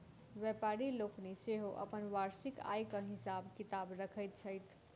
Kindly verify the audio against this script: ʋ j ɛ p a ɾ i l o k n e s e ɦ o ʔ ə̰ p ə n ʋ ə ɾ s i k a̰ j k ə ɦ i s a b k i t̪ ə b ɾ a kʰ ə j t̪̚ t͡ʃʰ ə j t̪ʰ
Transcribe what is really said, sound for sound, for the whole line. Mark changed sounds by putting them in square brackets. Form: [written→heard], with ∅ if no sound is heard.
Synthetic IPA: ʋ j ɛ p a ɾ i l o k n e s e ɦ o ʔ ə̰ p ə n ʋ [ə→a] ɾ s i k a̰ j k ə ɦ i s a b k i t̪ [ə→a] b ɾ [a→ə] kʰ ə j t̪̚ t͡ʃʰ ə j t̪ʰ

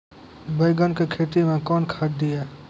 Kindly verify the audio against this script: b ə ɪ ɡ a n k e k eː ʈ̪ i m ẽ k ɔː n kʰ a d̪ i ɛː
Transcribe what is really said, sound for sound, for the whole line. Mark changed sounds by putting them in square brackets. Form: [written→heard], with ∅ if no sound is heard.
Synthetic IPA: b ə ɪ ɡ [a→ə] n k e [k→kʰ] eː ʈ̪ i m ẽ k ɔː n kʰ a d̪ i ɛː

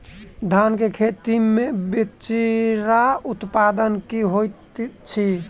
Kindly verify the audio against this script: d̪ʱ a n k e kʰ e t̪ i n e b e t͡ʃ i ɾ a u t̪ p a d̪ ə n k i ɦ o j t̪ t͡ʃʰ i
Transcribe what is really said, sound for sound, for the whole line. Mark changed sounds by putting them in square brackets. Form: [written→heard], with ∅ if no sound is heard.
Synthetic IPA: d̪ʱ a n k e kʰ e t̪ i [n→m] e b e t͡ʃ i ɾ a u t̪ p a d̪ ə n k i ɦ o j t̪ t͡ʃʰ i

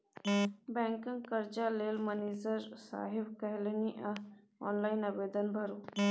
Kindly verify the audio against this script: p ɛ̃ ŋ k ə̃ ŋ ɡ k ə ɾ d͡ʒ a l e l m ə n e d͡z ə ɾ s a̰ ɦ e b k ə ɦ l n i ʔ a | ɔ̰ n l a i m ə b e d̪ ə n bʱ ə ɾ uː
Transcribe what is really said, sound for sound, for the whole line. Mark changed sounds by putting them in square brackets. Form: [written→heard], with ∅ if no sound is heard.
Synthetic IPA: [p→b] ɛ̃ ŋ k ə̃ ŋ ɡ k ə ɾ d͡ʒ a l e l m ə n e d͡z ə ɾ s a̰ ɦ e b k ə ɦ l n i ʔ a | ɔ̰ n l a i [m→n] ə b e d̪ ə n bʱ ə ɾ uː

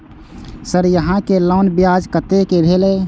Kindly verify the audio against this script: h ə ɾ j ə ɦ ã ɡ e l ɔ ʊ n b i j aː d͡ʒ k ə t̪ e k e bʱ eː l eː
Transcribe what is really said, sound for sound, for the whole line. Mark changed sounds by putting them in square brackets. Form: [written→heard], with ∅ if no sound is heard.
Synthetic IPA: [h→s] ə ɾ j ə ɦ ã [ɡ→k] e l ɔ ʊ n b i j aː d͡ʒ k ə t̪ e k e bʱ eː l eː

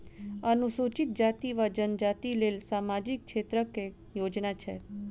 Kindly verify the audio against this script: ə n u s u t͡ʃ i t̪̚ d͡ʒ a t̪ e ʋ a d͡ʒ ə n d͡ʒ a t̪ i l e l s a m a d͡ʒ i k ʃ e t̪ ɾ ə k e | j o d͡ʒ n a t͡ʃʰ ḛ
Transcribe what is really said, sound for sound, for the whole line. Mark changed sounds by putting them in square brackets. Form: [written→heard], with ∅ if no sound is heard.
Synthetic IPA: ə n u s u t͡ʃ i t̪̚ d͡ʒ a t̪ [e→i] ʋ a d͡ʒ ə n d͡ʒ a t̪ i l e l s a m a d͡ʒ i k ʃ e t̪ ɾ ə k e | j o d͡ʒ n a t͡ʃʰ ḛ

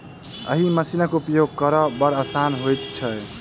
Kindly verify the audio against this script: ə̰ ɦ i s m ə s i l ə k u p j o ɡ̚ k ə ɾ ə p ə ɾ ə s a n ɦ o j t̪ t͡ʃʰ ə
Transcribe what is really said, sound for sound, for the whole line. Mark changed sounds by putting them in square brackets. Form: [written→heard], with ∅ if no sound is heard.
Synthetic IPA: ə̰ ɦ i [s→∅] m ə s i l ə k u p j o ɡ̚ k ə ɾ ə [p→b] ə ɾ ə s a n ɦ o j t̪ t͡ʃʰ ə

